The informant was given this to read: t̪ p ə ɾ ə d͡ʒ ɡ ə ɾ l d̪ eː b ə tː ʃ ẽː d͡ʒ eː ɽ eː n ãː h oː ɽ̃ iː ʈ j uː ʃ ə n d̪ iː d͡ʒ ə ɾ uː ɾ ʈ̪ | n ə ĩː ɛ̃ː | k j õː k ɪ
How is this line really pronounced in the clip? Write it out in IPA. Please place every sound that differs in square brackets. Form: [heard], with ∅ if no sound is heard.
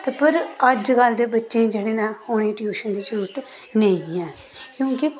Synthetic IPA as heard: t̪ p ə ɾ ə d͡ʒ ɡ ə [∅] l d̪ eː b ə tː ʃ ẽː d͡ʒ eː ɽ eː n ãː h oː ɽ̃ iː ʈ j uː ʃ ə n d̪ iː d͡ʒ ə ɾ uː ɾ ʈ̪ | n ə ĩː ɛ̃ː | k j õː k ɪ